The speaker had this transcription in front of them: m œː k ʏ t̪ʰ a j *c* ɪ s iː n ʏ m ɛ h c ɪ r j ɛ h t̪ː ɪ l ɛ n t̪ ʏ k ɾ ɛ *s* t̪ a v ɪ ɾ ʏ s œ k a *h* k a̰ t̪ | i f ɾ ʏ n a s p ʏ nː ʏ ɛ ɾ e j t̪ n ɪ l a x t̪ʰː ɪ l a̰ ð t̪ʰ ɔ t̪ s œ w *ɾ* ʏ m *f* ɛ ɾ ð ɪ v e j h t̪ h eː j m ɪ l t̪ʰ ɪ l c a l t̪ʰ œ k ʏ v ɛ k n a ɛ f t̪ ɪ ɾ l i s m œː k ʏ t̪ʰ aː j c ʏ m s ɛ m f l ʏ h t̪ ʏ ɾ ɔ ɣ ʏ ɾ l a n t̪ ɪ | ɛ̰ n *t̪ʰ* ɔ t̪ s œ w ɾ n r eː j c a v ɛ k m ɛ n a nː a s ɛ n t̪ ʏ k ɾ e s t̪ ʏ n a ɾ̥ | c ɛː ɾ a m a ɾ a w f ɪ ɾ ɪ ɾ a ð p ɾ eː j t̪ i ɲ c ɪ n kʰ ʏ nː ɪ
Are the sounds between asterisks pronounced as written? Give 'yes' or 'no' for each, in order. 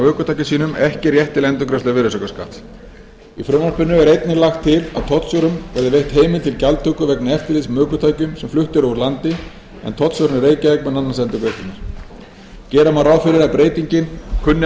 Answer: yes, yes, no, yes, no, yes

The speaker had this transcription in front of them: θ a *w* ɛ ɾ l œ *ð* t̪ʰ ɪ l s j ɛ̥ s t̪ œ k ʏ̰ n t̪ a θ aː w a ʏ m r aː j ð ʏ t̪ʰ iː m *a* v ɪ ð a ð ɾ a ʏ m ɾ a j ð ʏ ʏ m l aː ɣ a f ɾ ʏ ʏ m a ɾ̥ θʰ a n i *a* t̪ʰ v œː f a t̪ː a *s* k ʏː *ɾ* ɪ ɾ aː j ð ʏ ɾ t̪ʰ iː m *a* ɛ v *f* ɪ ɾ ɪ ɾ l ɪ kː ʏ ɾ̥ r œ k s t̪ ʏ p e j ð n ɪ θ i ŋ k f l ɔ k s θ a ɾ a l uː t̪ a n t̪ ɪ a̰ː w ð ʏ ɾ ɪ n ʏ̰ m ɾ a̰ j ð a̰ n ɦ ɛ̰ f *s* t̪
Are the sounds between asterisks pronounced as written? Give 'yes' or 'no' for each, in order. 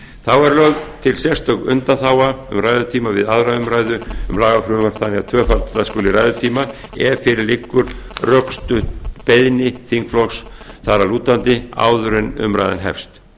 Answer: yes, no, yes, yes, yes, no, yes, yes, yes

